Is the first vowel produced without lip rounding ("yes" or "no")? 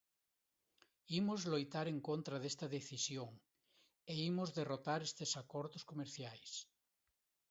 yes